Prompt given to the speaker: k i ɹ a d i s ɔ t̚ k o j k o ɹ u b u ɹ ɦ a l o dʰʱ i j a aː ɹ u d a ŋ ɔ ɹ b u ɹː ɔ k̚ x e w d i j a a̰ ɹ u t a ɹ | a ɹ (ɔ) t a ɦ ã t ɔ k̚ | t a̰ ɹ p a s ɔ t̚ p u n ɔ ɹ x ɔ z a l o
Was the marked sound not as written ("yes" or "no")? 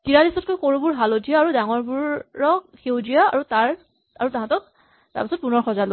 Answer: yes